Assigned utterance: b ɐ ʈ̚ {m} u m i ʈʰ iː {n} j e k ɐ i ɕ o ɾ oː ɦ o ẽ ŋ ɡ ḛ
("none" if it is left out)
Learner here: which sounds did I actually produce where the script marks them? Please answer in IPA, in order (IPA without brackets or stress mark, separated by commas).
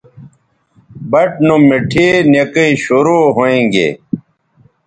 n, n